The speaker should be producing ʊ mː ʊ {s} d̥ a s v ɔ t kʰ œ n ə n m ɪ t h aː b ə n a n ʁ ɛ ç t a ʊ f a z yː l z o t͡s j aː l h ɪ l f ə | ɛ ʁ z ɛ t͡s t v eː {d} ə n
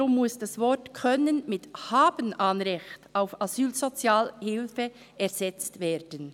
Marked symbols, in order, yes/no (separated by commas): yes, yes